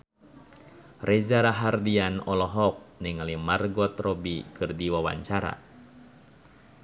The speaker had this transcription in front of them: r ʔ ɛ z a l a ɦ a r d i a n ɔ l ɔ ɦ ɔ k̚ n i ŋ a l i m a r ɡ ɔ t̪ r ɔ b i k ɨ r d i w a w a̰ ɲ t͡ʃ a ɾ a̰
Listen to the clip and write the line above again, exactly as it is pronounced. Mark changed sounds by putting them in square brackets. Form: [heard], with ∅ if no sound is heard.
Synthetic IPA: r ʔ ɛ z a [ɾ] a ɦ a r d i a n ɔ l ɔ ɦ ɔ k̚ n i ŋ a l i m a r ɡ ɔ t̪ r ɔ b i k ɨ r d i w a w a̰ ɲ t͡ʃ a ɾ a̰